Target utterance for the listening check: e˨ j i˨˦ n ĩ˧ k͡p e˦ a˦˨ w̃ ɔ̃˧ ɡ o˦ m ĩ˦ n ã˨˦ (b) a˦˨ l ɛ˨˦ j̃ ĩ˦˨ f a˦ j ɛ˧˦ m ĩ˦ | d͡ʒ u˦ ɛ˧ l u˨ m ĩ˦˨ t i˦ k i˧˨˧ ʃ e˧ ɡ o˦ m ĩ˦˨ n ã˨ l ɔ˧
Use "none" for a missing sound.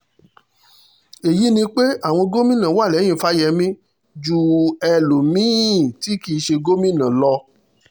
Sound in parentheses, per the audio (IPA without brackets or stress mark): w